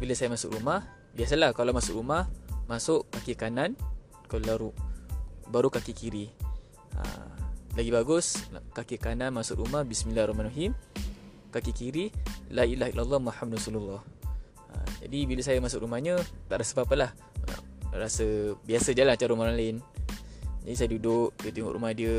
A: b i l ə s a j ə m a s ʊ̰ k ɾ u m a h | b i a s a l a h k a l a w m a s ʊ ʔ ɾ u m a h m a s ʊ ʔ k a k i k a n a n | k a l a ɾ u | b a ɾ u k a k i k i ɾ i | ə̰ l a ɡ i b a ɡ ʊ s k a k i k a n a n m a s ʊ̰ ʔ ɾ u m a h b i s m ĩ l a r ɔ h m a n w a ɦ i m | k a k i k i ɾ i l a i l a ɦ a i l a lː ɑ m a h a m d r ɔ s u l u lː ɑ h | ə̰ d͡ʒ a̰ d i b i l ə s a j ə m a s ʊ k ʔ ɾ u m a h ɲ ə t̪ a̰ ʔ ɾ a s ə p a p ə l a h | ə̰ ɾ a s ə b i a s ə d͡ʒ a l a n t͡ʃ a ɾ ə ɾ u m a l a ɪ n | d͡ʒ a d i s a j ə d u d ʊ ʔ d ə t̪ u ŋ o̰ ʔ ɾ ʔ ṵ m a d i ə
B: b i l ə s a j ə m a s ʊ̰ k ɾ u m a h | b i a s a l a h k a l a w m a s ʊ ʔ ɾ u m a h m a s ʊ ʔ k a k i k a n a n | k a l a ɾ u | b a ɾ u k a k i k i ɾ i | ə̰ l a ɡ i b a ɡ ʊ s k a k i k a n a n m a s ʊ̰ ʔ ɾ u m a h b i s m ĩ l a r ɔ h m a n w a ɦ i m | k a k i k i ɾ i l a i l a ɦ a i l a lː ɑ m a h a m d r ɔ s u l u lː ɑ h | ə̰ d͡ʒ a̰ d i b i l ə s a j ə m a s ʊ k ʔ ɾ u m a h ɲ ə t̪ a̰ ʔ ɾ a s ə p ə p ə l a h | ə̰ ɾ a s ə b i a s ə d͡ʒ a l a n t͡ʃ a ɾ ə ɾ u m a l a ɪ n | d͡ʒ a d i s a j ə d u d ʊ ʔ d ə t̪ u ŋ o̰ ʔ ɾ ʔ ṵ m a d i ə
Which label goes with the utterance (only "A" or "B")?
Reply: A